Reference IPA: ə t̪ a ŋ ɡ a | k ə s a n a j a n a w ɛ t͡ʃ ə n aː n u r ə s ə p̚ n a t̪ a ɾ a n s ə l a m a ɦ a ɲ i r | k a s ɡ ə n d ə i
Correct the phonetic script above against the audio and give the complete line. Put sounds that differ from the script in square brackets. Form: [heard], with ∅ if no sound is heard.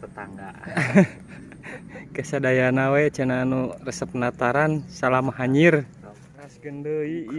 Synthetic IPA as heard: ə t̪ a ŋ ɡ a | k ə s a [d] a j a n a w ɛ t͡ʃ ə n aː n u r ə s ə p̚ n a t̪ a ɾ a n s [a] l a m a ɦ a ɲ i r | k a s ɡ ə n d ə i